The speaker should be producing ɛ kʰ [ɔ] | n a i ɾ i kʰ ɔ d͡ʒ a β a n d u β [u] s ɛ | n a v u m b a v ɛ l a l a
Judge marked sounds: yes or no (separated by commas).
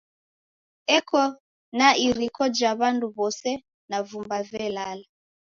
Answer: yes, no